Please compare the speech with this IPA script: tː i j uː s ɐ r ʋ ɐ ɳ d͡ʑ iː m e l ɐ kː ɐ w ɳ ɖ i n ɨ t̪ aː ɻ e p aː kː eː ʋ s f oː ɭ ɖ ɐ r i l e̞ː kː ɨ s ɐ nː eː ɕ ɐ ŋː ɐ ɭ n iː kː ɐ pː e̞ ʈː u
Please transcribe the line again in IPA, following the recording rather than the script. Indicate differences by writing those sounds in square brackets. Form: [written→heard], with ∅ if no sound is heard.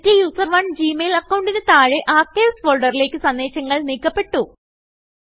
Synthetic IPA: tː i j uː s ɐ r ʋ ɐ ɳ d͡ʑ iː m e l ɐ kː ɐ w ɳ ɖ i n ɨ t̪ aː ɻ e [p→ʔ] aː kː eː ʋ s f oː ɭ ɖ ɐ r i l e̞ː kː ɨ s ɐ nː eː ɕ ɐ ŋː ɐ ɭ n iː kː ɐ pː e̞ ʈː u